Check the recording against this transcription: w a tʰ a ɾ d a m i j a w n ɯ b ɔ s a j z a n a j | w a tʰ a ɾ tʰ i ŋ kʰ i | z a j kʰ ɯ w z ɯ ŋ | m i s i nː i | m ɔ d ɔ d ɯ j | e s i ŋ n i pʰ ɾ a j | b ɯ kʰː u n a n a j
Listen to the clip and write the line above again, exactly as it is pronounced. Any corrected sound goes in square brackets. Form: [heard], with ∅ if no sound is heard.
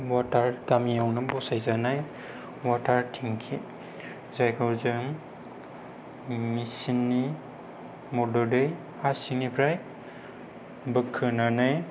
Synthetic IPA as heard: w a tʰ a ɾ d a m i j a w n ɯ b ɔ s a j z a n a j | w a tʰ a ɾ tʰ i ŋ kʰ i | z a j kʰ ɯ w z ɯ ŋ | m i s i nː i | m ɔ d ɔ d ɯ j | [a] s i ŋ n i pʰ ɾ a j | b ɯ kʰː [ɯ] n a n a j

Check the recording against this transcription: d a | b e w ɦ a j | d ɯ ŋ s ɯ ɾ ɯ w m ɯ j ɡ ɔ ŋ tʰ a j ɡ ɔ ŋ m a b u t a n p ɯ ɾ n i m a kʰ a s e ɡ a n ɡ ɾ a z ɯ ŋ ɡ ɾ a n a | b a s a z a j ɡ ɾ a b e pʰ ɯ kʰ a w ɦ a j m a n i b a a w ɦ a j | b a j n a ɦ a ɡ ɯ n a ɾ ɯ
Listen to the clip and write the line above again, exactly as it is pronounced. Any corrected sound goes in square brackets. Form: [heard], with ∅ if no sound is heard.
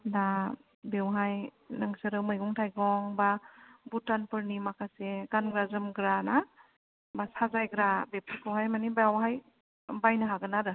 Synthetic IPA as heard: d a | b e w ɦ a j | [n] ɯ ŋ s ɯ ɾ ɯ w m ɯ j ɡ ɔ ŋ tʰ a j ɡ ɔ ŋ [b] a b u t a n p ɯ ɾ n i m a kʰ a s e ɡ a n ɡ ɾ a z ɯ [m] ɡ ɾ a n a | b a s a z a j ɡ ɾ a b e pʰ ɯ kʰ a w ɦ a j m a n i b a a w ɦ a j | b a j n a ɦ a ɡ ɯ n a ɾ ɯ

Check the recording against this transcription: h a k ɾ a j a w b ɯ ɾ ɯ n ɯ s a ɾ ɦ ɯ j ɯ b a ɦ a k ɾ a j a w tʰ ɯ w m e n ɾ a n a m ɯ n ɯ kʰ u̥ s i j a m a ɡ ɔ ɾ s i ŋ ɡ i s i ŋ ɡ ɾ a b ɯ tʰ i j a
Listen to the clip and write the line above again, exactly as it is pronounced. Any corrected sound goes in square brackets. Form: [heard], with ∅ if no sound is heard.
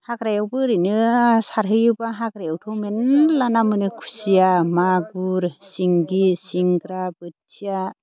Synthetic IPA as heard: h a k ɾ a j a w b ɯ ɾ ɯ n ɯ s a ɾ ɦ ɯ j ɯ b a ɦ a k ɾ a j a w tʰ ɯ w m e n [l] a n a m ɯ n ɯ kʰ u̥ s i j a m a ɡ [u] ɾ s i ŋ ɡ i s i ŋ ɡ ɾ a b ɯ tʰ i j a

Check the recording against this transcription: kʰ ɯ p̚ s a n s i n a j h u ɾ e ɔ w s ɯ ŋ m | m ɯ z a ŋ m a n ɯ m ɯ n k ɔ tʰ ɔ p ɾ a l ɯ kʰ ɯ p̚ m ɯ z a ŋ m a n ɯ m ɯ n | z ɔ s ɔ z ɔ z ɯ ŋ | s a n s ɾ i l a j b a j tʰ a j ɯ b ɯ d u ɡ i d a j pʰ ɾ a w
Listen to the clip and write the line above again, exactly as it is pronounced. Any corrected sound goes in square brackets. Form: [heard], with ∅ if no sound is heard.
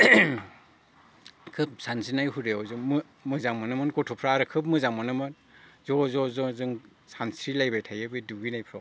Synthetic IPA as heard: kʰ ɯ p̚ s a n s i n a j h u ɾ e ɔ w [z] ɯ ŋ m | m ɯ z a ŋ m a n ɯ m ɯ n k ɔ tʰ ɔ [pʰ] ɾ a [ɾ] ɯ kʰ ɯ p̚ m ɯ z a ŋ m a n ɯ m ɯ n | z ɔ [z] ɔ z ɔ z ɯ ŋ | s a n s ɾ i l a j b a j tʰ a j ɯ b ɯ d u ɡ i [n] a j pʰ ɾ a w

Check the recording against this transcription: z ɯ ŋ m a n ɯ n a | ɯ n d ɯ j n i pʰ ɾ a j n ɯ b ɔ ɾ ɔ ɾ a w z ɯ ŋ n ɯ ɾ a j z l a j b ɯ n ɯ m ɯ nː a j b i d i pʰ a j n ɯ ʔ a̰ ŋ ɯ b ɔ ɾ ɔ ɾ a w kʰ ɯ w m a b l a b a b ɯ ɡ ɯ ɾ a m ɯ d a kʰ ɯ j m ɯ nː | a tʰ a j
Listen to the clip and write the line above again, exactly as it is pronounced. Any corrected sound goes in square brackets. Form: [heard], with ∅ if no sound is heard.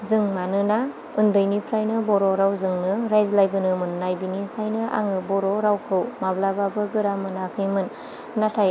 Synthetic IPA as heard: z ɯ ŋ m a n ɯ n a | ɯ n d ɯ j n i pʰ ɾ a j n ɯ b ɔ ɾ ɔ ɾ a w z ɯ ŋ n ɯ ɾ a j z l a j b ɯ n ɯ m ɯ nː a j b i [n] i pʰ a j n ɯ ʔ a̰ ŋ ɯ b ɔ ɾ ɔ ɾ a w kʰ ɯ w m a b l a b a b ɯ ɡ ɯ ɾ a m ɯ [n] a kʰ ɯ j m ɯ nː | a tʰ a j

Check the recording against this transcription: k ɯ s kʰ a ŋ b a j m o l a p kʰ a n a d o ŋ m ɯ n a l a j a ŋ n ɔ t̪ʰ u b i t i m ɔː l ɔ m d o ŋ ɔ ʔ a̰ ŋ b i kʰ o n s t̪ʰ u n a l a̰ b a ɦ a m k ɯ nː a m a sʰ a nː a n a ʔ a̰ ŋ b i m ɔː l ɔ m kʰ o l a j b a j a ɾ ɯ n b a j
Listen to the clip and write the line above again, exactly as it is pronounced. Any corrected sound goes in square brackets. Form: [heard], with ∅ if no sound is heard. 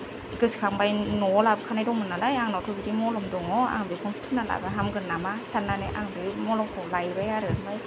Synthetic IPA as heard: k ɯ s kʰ a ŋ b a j [n] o l a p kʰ a n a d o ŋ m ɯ n a l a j a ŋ n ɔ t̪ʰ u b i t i m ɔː l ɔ m d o ŋ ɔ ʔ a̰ ŋ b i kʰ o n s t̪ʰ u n a l a̰ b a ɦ a m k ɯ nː a m a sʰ a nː a n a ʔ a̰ ŋ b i m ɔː l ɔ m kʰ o l a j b a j a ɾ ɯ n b a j

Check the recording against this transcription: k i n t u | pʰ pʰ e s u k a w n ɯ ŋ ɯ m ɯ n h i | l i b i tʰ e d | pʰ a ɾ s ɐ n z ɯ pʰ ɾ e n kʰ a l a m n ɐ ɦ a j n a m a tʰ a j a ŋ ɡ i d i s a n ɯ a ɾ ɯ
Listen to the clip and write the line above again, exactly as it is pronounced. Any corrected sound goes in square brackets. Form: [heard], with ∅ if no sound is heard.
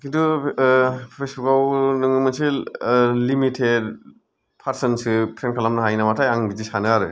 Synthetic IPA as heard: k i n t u | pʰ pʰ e s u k a w n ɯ ŋ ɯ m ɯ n [s] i | l i [m] i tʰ e d | pʰ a ɾ s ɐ n [s] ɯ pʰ ɾ e n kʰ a l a m n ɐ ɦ a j n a m a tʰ a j a ŋ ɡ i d i s a n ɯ a ɾ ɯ

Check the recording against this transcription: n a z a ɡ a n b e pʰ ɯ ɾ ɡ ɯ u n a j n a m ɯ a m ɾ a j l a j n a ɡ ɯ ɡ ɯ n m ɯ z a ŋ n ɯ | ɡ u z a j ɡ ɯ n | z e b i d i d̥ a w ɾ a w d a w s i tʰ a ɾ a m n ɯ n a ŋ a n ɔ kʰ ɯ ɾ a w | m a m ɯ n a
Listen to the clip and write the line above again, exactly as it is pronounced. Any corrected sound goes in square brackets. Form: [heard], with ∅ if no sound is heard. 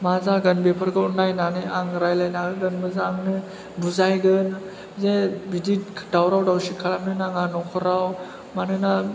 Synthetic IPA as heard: [m] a z a ɡ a n b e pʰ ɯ ɾ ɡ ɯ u n a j n a [n] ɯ a [ŋ] ɾ a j l a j n a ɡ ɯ ɡ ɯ n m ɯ z a ŋ n ɯ | [b] u z a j ɡ ɯ n | z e b i d i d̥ a w ɾ a w d a w s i [kʰ] a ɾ a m n ɯ n a ŋ a n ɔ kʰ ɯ ɾ a w | m a [n] ɯ n a

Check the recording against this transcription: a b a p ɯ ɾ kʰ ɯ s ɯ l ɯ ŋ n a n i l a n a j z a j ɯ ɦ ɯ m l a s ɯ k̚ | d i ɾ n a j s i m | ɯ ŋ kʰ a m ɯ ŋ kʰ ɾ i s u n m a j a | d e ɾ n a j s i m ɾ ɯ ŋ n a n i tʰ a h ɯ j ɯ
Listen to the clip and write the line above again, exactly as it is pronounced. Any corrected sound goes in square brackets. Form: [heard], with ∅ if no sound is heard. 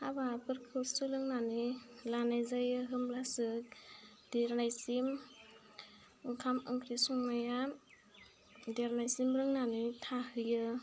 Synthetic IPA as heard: a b a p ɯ ɾ kʰ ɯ s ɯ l ɯ ŋ n a n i l a n a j z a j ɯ ɦ ɯ m l a s ɯ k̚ | d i ɾ n a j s i m | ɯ ŋ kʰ a m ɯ ŋ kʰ ɾ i s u [ŋ] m a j a | d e ɾ n a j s i m ɾ ɯ ŋ n a n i tʰ a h ɯ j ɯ

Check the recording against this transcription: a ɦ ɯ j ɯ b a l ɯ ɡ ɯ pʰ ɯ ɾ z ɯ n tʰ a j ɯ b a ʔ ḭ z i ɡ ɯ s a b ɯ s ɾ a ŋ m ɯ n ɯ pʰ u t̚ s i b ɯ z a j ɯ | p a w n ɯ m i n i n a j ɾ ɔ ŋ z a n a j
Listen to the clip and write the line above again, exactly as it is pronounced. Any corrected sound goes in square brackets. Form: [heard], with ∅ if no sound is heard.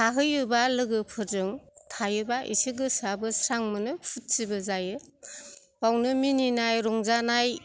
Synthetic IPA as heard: a ɦ ɯ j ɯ b a l ɯ ɡ ɯ pʰ ɯ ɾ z ɯ [ŋ] tʰ a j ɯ b a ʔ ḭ [s] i ɡ ɯ s a b ɯ s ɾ a ŋ m ɯ n ɯ pʰ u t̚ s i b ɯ z a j ɯ | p a w n ɯ m i n i n a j ɾ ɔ ŋ z a n a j

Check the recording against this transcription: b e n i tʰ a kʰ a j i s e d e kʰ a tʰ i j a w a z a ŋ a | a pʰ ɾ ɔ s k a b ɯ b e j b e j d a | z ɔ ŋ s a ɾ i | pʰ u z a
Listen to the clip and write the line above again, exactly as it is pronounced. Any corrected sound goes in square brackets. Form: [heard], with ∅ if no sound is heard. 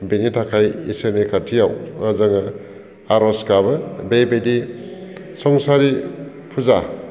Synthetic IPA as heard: b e n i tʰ a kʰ a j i s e [n] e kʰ a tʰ i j a w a z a ŋ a | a [∅] ɾ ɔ s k a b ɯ b e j b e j d [i] | [s] ɔ ŋ s a ɾ i | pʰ u z a

